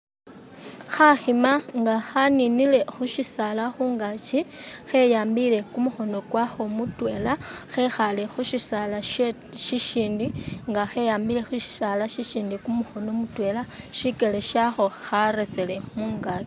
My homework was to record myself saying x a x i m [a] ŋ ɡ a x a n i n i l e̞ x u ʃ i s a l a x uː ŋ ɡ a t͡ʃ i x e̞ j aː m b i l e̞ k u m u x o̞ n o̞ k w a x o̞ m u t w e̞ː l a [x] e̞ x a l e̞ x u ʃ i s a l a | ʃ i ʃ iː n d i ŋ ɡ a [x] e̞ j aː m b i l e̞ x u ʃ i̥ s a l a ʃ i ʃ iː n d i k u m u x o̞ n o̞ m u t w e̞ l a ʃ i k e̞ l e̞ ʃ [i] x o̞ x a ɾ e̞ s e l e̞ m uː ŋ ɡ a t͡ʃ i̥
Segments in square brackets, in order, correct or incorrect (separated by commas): correct, correct, correct, incorrect